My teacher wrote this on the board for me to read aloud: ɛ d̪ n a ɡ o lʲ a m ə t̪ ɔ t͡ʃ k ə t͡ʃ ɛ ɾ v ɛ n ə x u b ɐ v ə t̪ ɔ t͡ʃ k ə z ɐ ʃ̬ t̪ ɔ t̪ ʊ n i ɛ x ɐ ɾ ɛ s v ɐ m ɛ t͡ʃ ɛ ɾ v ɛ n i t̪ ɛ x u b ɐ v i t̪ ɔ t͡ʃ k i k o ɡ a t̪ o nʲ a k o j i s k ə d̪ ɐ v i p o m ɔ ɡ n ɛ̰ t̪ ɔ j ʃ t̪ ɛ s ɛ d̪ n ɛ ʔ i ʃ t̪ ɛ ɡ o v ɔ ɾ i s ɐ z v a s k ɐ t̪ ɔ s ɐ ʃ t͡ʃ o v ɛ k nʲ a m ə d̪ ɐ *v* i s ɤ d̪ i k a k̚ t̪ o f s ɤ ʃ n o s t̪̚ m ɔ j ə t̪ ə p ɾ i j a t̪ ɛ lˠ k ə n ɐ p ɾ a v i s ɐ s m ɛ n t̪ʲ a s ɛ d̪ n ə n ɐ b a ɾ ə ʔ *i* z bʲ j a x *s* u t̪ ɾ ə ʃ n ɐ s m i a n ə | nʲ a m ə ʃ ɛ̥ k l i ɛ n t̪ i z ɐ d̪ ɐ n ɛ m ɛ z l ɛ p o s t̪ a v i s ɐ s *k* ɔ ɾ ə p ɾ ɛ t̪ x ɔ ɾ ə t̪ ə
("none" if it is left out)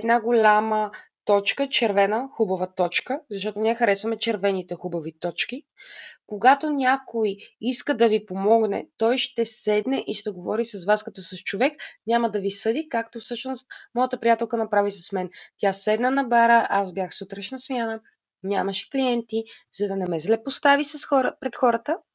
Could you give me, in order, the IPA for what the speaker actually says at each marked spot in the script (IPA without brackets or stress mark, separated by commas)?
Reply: v, a, s, x